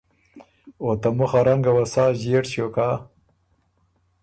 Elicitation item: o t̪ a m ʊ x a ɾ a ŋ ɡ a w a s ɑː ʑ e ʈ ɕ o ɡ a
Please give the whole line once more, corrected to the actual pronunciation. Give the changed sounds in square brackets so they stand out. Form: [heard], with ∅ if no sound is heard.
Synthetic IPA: o t̪ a m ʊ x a ɾ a ŋ ɡ a w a s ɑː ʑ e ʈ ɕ o [k] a